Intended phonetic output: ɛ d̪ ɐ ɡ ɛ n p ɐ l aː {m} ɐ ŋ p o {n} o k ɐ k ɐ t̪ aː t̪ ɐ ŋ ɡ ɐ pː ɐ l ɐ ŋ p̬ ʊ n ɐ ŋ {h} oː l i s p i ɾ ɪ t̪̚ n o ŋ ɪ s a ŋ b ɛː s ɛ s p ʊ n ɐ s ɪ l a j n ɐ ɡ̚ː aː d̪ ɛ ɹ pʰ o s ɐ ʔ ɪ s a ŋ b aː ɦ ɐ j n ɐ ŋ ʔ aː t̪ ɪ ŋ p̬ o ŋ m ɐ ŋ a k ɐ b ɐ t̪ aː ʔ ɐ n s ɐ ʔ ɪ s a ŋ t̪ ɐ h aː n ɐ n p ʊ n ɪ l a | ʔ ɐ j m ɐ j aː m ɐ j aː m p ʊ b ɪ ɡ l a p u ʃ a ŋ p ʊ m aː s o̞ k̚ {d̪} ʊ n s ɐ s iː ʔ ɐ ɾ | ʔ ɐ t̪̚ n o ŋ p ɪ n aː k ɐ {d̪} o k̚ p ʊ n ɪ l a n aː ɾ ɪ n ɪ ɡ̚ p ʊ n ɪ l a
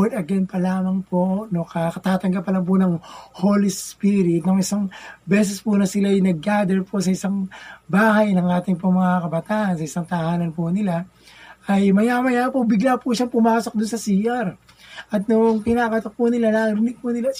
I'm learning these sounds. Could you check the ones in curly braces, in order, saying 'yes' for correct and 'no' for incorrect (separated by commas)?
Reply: yes, yes, yes, yes, no